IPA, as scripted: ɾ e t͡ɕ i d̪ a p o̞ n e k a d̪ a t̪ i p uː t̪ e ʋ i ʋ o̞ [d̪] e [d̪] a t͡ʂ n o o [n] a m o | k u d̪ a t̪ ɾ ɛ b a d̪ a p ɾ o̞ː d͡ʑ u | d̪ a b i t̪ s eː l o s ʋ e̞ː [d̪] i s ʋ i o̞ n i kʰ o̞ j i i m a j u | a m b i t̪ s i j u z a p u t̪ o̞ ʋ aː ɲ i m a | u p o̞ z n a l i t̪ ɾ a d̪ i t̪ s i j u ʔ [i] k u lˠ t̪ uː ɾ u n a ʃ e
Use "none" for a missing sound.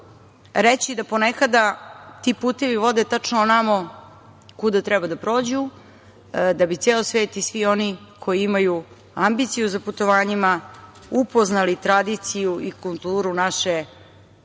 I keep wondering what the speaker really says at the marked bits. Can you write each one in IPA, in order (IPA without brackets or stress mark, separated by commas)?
d̪, t̪, n, t̪, i